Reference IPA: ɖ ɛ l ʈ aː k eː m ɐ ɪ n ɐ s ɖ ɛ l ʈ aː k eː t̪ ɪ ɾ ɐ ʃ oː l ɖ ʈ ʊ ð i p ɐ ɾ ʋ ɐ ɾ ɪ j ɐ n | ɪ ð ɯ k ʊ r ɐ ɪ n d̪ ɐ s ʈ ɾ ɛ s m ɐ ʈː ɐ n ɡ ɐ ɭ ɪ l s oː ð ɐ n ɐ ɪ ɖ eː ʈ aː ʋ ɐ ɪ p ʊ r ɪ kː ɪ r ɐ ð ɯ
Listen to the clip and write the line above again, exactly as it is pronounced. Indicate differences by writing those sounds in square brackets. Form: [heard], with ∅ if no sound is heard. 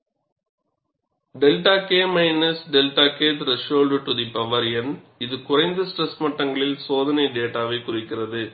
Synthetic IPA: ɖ ɛ l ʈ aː k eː m ɐ ɪ n ɐ s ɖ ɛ l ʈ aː k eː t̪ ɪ ɾ ɐ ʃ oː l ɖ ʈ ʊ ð i p ɐ [∅] ʋ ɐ ɾ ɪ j ɐ n | ɪ ð ɯ k ʊ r ɐ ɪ n d̪ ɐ s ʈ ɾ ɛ s m ɐ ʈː ɐ [ŋ] ɡ ɐ ɭ ɪ l s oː ð ɐ n ɐ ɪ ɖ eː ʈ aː ʋ ɐ ɪ [k] ʊ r ɪ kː ɪ r ɐ ð ɯ